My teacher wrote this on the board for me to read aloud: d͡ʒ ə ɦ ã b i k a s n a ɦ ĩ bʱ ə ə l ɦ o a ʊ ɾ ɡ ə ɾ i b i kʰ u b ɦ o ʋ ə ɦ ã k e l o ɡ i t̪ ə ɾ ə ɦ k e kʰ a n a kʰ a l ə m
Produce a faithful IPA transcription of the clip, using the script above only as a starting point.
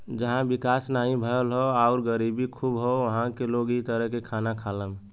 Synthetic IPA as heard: d͡ʒ ə ɦ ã b i k a s n a ɦ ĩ bʱ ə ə l ɦ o a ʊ ɾ ɡ ə ɾ i b i kʰ u b ɦ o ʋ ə ɦ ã k e l o ɡ i t̪ ə ɾ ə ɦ k e kʰ a n a kʰ a l ə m